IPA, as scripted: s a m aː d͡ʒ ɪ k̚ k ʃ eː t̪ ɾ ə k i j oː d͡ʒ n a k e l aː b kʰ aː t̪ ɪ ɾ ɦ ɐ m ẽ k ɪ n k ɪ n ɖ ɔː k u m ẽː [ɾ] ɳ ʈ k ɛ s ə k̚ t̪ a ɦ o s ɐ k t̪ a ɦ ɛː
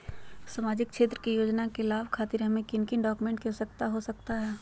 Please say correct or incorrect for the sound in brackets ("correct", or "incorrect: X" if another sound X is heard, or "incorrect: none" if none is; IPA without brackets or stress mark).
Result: incorrect: none